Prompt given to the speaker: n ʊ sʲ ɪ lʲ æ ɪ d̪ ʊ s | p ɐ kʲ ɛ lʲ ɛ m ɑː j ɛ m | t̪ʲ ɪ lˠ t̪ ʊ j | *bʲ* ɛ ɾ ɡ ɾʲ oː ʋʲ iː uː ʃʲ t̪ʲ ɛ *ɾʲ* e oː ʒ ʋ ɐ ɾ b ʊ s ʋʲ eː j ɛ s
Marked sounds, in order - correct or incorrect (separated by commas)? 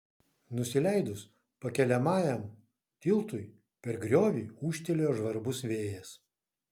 incorrect, incorrect